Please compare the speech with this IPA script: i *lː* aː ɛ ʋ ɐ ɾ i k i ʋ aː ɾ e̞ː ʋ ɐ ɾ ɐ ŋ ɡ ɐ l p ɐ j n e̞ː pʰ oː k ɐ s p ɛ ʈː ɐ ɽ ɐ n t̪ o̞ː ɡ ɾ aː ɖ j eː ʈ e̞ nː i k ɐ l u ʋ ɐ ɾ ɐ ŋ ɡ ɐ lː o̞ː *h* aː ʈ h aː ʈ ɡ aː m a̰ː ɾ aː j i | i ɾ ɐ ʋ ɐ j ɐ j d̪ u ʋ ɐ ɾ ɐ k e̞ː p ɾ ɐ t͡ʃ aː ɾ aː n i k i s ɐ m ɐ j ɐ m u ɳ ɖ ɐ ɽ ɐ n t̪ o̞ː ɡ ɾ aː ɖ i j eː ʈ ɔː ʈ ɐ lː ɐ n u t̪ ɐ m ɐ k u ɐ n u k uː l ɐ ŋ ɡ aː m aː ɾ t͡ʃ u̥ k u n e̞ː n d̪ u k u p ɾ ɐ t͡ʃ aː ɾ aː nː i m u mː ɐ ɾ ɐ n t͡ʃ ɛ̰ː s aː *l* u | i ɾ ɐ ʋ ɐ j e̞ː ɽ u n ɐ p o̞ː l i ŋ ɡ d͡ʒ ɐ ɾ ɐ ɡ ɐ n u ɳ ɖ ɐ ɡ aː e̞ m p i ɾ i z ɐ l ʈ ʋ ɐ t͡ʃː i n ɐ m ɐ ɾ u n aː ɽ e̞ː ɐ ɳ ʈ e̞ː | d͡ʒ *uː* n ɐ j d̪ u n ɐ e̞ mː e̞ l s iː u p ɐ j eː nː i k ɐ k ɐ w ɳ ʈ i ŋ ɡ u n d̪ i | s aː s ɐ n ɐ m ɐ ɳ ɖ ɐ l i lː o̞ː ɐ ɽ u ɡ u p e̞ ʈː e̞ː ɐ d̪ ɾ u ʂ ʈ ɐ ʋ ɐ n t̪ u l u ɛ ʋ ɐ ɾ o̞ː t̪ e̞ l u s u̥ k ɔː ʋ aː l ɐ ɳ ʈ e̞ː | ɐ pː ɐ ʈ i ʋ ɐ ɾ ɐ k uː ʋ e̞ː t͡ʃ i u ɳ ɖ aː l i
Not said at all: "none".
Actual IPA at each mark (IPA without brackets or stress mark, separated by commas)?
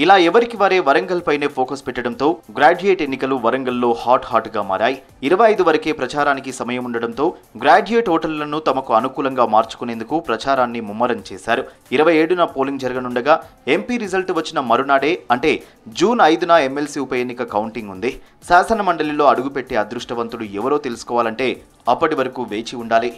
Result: l, h, ɾ, uː